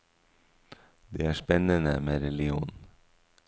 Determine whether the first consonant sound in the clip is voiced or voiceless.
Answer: voiced